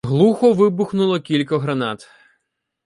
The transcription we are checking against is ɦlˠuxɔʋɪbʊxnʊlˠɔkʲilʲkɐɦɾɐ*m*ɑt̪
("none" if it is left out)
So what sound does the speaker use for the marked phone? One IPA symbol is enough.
n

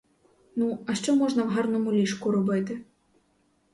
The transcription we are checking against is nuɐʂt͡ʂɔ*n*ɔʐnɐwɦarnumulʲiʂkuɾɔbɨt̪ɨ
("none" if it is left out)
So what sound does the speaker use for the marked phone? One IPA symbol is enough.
m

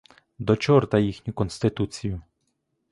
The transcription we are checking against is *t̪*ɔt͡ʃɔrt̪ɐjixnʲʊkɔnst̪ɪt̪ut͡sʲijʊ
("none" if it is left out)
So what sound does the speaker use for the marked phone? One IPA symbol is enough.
d̪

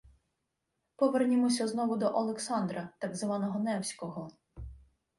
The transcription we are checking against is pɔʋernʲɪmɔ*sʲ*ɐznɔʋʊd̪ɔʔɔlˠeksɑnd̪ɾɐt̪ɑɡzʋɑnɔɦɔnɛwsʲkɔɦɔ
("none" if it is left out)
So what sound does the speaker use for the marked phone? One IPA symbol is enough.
sʲ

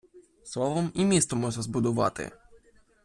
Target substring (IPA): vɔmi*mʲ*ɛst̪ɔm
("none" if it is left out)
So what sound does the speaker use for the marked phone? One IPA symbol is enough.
mʲ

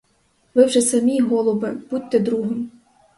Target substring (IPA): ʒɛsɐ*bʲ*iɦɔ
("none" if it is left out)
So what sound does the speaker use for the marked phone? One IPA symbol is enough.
mʲ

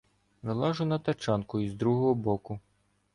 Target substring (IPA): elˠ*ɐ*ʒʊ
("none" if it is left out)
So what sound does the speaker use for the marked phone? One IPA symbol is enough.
ɑ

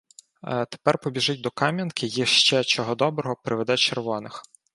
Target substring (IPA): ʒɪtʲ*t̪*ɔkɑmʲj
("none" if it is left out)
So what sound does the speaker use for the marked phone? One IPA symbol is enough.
d̪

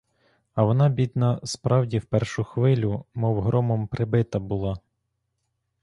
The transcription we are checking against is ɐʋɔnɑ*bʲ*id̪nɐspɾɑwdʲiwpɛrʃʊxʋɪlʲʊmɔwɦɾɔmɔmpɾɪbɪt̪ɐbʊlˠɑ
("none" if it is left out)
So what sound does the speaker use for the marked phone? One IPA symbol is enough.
bʲ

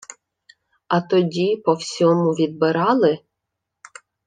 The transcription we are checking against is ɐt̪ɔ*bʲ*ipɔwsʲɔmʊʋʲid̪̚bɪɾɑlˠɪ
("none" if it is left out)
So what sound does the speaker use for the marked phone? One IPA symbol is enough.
dʲ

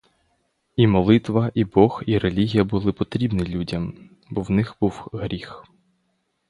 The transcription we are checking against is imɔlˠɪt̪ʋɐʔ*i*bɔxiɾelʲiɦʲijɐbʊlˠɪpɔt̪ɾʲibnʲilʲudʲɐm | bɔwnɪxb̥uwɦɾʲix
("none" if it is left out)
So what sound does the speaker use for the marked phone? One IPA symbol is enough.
i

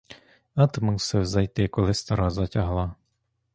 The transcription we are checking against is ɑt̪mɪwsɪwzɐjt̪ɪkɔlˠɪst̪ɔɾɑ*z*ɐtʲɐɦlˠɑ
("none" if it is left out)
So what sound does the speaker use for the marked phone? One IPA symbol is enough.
z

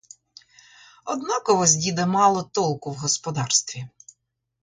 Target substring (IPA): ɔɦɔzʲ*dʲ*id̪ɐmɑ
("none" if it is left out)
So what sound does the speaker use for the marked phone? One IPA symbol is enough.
dʲ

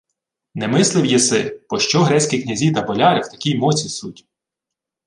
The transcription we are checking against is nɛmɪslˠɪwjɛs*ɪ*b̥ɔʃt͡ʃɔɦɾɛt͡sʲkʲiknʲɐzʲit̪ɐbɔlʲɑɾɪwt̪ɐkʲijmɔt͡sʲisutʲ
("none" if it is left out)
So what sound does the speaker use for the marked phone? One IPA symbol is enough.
ɪ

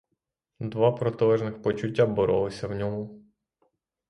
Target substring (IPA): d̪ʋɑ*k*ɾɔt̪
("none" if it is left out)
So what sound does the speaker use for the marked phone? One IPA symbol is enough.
p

